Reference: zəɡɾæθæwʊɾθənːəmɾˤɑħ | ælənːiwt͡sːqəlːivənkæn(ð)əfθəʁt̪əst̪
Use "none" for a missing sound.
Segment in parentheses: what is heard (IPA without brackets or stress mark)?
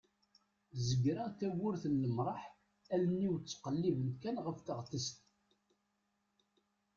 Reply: ʁ